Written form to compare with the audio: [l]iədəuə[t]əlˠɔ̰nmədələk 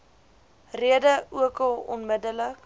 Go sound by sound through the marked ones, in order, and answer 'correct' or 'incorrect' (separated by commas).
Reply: incorrect, incorrect